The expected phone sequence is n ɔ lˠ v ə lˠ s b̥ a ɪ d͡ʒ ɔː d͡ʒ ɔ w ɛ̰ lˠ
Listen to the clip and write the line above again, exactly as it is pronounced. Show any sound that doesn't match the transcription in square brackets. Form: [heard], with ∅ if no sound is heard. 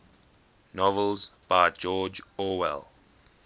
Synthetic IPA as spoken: n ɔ [∅] v ə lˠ [z] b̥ a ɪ d͡ʒ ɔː d͡ʒ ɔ w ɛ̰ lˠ

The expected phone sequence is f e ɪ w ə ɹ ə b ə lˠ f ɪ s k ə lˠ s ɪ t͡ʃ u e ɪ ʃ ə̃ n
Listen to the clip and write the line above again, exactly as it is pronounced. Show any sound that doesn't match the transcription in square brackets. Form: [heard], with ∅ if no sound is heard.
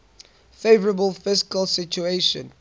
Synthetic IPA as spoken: f e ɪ [v] ə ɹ ə b ə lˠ f ɪ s k ə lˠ s ɪ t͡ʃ u e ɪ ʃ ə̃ n

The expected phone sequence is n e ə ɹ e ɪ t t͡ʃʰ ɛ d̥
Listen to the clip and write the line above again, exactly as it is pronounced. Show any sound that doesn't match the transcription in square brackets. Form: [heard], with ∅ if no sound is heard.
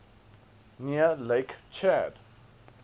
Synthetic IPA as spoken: n [i] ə [l] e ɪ [k] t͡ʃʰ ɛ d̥

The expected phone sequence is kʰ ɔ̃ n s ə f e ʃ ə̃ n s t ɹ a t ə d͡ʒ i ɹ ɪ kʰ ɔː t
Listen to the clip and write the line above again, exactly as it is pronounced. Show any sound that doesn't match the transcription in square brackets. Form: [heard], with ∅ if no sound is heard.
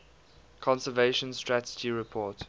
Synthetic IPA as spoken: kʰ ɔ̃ n s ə [v] e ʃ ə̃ n s t ɹ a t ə d͡ʒ i ɹ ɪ [pʰ] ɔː t

